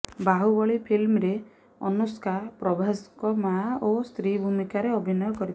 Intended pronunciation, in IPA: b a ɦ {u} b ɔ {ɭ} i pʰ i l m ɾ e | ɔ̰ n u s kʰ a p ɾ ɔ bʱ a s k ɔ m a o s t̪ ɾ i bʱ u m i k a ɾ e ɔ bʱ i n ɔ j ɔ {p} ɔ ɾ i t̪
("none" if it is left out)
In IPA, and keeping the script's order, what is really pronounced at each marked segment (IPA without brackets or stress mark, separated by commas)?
u, ɭ, k